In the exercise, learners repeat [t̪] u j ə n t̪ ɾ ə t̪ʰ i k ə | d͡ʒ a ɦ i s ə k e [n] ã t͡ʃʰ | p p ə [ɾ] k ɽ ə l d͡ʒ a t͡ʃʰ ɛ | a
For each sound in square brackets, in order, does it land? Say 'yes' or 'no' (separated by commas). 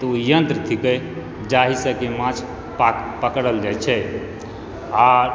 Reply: yes, no, no